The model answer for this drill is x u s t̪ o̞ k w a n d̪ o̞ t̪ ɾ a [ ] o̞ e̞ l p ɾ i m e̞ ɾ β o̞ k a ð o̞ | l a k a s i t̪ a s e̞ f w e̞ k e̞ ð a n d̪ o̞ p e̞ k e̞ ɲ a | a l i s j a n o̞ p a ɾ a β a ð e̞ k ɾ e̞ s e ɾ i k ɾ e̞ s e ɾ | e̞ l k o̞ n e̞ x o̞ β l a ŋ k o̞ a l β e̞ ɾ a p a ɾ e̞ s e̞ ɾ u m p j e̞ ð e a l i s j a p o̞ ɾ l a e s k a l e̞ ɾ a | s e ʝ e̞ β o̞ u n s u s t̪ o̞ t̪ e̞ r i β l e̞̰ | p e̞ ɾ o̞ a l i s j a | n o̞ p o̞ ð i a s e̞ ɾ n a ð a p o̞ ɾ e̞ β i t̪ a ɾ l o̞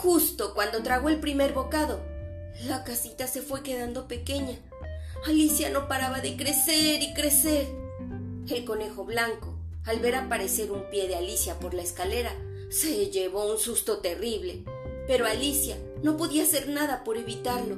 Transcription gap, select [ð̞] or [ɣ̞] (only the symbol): ɣ̞